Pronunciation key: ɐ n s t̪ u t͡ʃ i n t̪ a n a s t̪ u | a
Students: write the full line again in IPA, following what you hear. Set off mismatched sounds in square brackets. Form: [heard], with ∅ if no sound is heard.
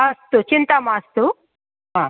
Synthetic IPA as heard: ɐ [∅] s t̪ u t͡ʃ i n t̪ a [m] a s t̪ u | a